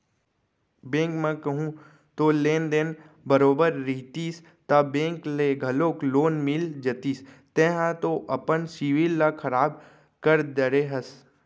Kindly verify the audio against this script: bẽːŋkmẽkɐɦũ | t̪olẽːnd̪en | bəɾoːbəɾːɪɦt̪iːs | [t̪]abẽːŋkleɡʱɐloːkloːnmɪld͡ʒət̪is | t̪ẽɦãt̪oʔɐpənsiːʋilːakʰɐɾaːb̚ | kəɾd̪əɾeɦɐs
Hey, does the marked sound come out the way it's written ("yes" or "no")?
yes